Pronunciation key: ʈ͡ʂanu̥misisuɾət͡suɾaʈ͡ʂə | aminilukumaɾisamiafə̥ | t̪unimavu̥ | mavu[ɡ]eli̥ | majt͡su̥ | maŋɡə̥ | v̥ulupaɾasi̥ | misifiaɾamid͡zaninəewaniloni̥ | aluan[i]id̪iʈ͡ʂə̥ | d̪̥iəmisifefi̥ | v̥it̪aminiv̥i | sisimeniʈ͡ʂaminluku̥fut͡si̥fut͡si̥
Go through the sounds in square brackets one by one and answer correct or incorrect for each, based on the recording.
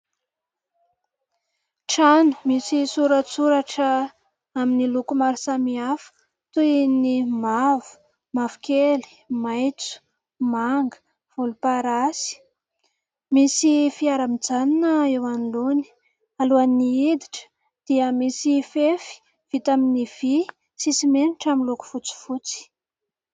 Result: incorrect: k, correct

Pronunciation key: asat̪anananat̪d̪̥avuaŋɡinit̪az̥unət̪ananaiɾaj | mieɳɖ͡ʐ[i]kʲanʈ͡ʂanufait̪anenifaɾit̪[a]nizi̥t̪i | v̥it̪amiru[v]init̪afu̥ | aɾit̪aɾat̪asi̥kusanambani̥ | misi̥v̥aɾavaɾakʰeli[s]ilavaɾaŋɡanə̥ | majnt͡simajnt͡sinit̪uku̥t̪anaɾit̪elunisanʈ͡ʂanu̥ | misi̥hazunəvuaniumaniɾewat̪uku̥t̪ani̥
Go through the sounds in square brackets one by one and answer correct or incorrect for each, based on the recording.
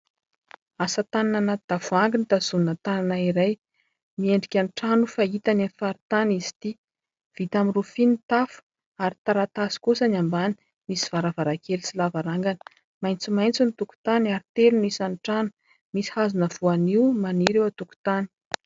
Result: correct, correct, incorrect: f, correct

